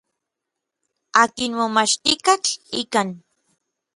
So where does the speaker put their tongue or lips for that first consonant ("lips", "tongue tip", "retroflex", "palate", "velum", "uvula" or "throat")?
velum